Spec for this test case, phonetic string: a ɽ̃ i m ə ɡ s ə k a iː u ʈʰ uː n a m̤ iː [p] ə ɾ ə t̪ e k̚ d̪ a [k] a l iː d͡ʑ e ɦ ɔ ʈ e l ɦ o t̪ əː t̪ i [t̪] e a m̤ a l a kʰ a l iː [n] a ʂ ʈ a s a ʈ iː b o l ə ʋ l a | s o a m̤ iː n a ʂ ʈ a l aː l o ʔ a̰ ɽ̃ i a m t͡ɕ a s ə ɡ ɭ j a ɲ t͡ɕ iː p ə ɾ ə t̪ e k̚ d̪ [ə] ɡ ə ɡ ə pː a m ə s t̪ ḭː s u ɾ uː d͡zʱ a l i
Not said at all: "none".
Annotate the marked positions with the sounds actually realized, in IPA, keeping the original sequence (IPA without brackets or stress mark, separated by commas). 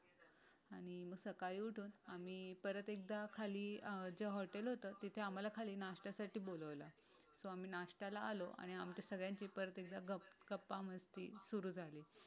p, kʰ, t̪ʰ, n, a